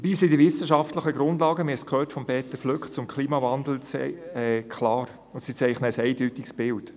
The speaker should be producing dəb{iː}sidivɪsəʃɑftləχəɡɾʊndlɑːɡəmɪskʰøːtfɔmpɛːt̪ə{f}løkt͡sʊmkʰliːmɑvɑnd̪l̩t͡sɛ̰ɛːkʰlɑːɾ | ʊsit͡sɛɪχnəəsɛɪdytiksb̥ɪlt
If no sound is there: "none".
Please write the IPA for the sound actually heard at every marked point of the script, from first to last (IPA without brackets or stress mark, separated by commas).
iː, f